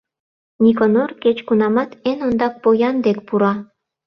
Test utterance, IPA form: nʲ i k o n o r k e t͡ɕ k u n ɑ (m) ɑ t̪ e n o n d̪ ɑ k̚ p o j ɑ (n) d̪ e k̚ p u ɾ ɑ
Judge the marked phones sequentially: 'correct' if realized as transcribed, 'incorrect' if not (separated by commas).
correct, correct